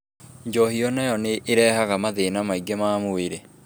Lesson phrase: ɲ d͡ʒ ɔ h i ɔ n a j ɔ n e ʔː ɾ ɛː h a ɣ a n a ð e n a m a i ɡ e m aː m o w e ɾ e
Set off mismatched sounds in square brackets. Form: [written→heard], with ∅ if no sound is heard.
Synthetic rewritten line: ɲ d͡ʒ ɔ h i ɔ n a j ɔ n e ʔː ɾ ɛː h a ɣ a [n→m] a ð e n a m a i ɡ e m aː m o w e ɾ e

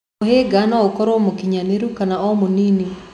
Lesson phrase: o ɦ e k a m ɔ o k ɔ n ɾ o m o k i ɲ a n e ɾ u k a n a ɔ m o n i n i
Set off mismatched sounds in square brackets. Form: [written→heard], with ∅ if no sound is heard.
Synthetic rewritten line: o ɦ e [k→ɡ] a [m→n] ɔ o k ɔ [n→∅] ɾ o m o k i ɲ a n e ɾ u k a n a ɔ m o n i n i

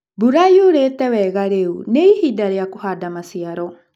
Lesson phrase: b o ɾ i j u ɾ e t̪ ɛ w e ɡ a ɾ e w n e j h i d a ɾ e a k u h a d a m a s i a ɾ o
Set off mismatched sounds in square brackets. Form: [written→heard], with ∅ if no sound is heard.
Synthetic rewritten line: b [o→u] ɾ [i→a] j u ɾ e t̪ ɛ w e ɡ a ɾ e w n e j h i d a ɾ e a k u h a d a m a s i a ɾ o

